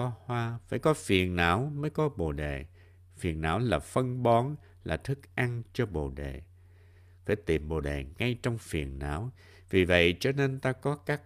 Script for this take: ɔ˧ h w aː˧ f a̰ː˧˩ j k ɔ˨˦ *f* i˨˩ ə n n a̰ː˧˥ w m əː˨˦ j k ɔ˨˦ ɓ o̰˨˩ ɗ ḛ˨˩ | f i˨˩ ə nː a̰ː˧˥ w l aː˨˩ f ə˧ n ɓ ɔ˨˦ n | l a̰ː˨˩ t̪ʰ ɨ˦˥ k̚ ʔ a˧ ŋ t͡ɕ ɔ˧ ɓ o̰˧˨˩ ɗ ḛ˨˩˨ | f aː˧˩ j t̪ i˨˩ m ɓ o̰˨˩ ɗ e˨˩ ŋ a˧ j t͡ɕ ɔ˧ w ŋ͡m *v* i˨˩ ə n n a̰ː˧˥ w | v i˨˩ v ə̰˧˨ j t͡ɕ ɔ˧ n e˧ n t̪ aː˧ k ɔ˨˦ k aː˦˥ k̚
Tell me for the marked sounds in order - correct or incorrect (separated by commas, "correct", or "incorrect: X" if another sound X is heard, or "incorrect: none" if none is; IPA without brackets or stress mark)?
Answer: correct, incorrect: f